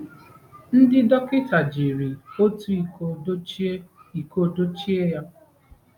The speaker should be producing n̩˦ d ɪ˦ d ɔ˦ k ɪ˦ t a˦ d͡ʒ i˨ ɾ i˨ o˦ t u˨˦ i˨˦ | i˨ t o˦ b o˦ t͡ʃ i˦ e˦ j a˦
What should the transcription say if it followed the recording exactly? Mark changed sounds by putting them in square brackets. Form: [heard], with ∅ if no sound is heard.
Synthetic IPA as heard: n̩˦ d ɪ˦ d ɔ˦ k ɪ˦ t [a˨] d͡ʒ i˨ ɾ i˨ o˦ t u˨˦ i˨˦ | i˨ [k] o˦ [d] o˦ t͡ʃ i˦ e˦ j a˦